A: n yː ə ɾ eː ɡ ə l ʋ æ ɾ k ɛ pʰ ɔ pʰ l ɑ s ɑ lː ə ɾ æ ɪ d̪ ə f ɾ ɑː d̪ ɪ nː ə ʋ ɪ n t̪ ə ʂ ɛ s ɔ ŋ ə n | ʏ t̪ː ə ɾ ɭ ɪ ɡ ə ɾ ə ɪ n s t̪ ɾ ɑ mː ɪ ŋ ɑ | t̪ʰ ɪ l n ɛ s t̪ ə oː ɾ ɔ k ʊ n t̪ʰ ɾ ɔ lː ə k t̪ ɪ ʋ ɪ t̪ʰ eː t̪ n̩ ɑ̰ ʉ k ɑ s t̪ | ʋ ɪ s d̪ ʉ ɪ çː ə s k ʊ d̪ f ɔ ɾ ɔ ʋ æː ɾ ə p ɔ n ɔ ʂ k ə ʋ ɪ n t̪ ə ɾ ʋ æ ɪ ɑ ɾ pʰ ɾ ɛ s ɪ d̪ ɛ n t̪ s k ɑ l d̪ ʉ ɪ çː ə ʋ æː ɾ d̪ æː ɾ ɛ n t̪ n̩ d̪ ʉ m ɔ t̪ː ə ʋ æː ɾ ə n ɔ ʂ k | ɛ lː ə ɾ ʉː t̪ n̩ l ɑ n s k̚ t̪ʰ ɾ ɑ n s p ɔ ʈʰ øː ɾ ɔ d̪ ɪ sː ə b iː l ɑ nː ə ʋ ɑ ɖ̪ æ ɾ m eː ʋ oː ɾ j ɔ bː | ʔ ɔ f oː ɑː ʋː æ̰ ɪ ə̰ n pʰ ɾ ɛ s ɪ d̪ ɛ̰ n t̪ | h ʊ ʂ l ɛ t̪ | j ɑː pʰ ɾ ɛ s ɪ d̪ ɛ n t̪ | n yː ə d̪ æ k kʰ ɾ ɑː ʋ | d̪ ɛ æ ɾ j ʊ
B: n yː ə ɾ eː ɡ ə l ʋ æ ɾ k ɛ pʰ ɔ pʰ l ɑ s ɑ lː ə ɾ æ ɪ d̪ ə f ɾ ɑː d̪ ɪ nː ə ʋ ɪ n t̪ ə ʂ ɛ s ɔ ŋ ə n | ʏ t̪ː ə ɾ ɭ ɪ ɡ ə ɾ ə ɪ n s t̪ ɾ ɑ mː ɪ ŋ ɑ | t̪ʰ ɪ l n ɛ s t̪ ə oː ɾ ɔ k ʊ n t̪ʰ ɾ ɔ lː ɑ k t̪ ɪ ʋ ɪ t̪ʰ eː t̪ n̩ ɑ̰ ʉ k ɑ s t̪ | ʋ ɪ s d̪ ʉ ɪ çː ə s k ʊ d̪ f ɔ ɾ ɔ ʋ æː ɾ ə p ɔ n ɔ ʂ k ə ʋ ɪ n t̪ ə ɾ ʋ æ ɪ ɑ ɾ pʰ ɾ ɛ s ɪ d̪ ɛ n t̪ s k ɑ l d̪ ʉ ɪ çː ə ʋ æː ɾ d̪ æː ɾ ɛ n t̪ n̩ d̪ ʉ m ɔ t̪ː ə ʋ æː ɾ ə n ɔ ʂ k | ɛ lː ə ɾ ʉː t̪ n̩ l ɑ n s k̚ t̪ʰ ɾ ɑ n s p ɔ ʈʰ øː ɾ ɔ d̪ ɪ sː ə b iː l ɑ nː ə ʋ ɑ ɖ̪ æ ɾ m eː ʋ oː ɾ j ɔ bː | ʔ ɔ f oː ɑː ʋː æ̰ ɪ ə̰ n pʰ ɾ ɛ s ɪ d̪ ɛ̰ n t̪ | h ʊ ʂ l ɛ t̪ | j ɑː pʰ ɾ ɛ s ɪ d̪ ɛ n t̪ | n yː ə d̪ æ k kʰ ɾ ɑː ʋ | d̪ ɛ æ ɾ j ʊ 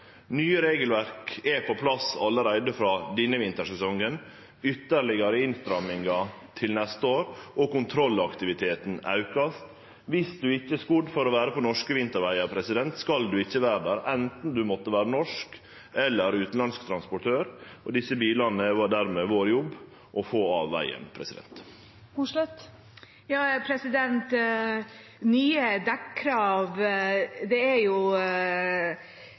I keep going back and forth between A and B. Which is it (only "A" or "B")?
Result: B